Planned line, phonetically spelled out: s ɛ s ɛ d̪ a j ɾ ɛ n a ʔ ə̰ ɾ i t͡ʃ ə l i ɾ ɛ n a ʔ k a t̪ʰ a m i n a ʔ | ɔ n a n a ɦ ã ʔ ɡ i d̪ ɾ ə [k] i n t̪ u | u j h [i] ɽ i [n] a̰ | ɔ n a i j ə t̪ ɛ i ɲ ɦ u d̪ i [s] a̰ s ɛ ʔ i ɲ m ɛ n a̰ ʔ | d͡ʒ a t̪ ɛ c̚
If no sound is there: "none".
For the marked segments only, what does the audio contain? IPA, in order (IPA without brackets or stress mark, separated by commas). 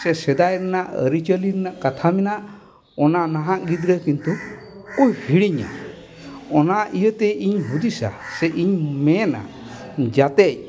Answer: k, i, ɲ, s